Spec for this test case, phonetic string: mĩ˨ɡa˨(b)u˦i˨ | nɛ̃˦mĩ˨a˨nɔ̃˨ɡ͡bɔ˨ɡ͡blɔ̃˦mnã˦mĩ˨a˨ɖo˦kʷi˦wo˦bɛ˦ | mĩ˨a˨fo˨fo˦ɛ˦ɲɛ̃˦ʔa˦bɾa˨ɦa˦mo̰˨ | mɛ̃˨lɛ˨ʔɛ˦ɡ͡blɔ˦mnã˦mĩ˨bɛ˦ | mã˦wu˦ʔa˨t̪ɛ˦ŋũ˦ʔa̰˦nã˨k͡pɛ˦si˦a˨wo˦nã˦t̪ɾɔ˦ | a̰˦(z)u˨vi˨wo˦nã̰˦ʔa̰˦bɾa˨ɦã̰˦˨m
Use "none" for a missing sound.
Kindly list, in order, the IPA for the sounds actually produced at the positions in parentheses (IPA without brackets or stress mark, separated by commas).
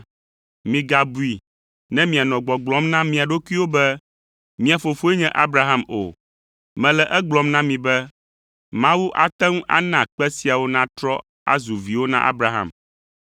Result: b, z